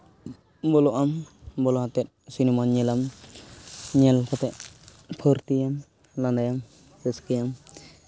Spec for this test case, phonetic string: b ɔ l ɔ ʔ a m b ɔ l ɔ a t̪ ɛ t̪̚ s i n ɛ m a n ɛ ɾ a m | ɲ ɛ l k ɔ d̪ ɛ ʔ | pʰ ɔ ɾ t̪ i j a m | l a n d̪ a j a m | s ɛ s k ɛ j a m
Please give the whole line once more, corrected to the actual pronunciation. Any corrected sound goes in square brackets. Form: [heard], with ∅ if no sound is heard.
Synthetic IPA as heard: b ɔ l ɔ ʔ a m b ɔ l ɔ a t̪ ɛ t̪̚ s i n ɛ m a [ɲ] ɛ [l] a m | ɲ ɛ l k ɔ [t̪] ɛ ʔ | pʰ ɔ ɾ t̪ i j a m | l a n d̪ a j a m | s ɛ s k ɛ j a m